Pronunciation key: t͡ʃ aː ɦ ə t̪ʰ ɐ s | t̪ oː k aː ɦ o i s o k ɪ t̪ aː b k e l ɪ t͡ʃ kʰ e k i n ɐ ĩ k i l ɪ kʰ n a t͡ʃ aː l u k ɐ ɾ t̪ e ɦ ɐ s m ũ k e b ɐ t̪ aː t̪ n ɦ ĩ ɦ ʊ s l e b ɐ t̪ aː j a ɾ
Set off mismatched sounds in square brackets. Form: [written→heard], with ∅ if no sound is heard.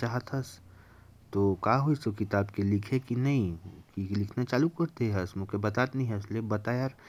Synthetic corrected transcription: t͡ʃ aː ɦ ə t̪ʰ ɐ s | t̪ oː k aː ɦ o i s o k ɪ t̪ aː b k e l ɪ [t͡ʃ→∅] kʰ e k i n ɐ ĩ k i l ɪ kʰ n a t͡ʃ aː l u k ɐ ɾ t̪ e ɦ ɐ s m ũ k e b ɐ t̪ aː t̪ n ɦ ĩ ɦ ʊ s l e b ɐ t̪ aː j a ɾ